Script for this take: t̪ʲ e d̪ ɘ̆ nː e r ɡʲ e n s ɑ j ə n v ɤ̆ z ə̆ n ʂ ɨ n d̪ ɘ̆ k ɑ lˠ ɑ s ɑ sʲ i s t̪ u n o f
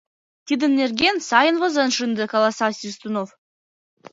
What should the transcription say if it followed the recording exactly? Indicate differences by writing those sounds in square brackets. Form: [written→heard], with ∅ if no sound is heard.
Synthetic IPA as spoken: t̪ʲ [e→i] d̪ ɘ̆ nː e r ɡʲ e n s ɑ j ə n v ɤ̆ z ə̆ n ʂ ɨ n d̪ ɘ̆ k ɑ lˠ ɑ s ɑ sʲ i s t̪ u n o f